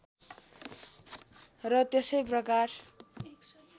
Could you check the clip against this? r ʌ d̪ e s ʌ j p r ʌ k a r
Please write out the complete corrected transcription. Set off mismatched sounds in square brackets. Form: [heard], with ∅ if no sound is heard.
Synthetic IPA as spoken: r ʌ [t̪] e s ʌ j p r ʌ k a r